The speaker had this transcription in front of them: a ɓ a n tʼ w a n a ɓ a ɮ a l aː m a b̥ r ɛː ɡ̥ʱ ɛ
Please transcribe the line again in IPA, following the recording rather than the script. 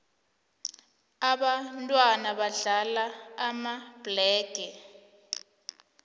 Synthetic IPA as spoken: a ɓ a n tʼ w a n a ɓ a ɮ a l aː m a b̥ l ɛː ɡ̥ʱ ɛ

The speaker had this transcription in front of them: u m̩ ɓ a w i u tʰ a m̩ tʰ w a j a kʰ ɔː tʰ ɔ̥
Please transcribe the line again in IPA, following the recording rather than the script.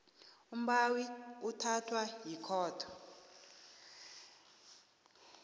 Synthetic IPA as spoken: u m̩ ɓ a w i u tʰ a tʰ w a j i kʰ ɔː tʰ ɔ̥

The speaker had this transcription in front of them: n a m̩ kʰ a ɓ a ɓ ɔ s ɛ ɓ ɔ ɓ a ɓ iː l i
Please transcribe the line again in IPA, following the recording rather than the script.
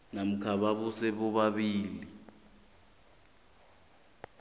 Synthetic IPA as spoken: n a m̩ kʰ a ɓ a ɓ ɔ s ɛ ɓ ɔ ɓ a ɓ iː l i

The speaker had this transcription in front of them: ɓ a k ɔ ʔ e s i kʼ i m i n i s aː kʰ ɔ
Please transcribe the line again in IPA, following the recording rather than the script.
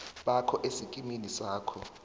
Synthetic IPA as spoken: ɓ a kʰ ɔ ʔ e s i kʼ i m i n i s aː kʰ ɔ

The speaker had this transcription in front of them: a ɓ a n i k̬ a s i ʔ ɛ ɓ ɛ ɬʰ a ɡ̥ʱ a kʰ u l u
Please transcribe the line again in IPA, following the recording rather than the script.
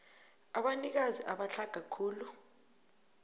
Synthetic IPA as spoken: a ɓ a n i k̬ a z i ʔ a ɓ a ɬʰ a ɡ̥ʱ a kʰ uː l u

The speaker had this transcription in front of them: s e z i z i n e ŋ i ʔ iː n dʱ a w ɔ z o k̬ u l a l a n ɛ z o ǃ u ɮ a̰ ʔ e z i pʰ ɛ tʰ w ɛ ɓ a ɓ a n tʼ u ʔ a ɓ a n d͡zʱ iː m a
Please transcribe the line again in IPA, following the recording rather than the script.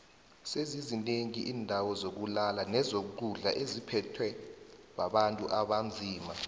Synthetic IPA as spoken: s e z i z i n e ŋ i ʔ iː n dʱ a w ɔ z o k̬ u l a l a n ɛ z o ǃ u ɮ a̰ ʔ e z i pʰ ɛ tʰ w ɛ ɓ a ɓ a n tʼ u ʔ a ɓ a n d͡zʱ iː m a

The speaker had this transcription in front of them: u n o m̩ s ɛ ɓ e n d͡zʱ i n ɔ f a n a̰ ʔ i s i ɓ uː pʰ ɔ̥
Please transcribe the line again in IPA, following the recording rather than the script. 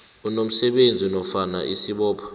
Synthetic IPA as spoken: u n o m̩ s ɛ ɓ e n d͡zʱ i n ɔ f a n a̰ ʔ i s i ɓ ɔː pʰ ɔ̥

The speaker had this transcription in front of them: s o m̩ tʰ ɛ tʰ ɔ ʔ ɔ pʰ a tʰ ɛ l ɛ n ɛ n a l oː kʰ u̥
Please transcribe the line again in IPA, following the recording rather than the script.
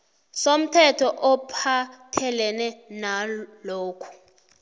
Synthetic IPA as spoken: s o m̩ tʰ ɛ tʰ ɔ ʔ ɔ pʰ a tʰ ɛ l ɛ n ɛ n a l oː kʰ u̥

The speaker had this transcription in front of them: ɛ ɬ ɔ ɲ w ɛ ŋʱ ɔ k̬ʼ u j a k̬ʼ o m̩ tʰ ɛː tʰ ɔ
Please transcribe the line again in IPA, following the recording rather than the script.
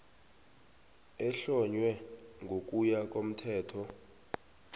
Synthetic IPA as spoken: ɛ ɬ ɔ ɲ w ɛ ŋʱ o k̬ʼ u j a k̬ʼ o m̩ tʰ ɛː tʰ ɔ

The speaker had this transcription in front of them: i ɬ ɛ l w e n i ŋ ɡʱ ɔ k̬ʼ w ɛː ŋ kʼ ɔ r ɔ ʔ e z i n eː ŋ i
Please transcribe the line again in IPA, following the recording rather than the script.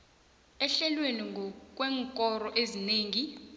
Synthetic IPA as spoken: ɛ ɬ ɛ l w e n i ŋ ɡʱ ɔ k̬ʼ w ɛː ŋ kʼ ɔ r ɔ ʔ e z i n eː ŋ i

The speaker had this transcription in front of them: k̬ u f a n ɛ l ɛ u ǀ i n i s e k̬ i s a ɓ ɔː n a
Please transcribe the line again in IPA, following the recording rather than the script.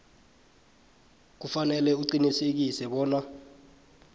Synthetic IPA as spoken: k̬ u f a n ɛ l ɛ u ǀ i n i s e k̬ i s ɛ ɓ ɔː n a

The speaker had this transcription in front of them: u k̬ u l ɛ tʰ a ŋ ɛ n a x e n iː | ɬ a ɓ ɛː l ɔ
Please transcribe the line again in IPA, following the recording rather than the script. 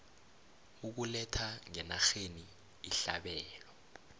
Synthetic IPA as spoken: u k̬ u l ɛ tʰ a ŋ ɛ n a x e n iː | ɬ a ɓ ɛː l ɔ

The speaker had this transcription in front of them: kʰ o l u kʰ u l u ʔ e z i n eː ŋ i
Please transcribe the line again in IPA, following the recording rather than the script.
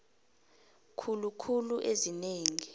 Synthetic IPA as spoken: kʰ u l u kʰ u l u ʔ e z i n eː ŋ i

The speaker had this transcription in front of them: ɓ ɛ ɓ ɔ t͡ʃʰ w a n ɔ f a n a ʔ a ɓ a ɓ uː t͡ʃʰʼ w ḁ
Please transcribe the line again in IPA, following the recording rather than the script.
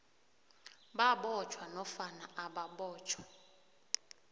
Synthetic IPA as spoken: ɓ a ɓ ɔ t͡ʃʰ w a n ɔ f a n a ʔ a ɓ a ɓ ɔː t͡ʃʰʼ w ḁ

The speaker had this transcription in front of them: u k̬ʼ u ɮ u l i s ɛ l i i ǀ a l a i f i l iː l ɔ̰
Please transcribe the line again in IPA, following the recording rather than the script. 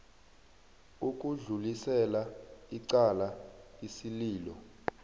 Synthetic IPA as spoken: u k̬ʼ u ɮ u l i s ɛ l a i ǀ a l a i s i l iː l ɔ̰

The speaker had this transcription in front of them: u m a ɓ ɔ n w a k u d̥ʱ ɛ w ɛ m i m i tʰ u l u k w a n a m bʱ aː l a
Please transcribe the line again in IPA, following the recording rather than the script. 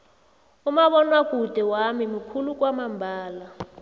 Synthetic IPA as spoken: u m a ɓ ɔ n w a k u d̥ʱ ɛ w a m i m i kʰ u l u k w a m a m bʱ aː l a

